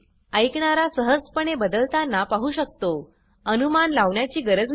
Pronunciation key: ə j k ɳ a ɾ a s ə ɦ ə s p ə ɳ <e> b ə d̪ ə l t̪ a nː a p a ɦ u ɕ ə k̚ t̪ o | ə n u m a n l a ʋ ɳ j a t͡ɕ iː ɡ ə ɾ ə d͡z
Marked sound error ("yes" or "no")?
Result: no